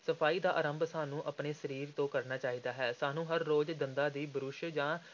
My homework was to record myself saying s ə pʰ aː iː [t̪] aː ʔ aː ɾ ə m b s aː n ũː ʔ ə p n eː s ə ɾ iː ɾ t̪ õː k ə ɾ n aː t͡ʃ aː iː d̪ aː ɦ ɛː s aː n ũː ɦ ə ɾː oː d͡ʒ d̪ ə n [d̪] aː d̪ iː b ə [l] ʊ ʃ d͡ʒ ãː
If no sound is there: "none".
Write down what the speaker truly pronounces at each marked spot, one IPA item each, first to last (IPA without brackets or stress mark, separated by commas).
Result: d̪, d̪, ɾ